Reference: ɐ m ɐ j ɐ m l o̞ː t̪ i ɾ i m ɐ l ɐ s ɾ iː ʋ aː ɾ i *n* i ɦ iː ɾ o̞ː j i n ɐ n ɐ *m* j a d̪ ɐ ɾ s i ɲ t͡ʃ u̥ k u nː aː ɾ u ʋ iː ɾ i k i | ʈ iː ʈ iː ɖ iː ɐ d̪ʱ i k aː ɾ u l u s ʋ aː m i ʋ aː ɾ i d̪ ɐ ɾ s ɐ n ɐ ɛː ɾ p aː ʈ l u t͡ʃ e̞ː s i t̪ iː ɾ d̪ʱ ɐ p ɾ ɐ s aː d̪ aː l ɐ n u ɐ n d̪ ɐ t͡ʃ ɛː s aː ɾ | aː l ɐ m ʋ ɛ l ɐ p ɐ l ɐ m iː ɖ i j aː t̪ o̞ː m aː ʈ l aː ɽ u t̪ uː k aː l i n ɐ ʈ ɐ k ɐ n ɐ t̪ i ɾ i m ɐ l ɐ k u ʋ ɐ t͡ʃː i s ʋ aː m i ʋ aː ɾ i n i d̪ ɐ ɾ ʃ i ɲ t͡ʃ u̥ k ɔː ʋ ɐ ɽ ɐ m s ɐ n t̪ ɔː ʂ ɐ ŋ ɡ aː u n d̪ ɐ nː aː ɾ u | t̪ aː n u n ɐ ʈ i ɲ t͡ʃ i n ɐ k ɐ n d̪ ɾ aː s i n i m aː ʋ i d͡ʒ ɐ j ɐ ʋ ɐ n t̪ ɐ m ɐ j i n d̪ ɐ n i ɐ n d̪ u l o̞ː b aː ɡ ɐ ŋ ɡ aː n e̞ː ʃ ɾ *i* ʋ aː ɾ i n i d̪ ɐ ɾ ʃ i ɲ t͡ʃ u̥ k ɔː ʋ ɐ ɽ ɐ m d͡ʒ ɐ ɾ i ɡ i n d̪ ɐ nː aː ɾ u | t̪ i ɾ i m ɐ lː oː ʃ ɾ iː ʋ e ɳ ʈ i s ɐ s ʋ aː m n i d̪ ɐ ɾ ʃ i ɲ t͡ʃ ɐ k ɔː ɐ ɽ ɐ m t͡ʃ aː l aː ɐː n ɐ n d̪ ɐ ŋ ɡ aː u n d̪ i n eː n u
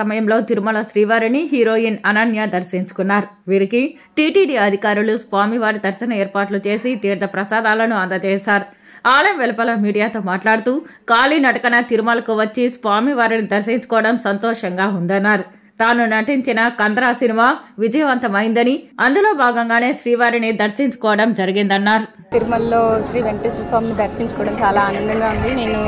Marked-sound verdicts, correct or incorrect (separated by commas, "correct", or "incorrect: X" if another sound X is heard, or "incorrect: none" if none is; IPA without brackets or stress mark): correct, incorrect: n, incorrect: iː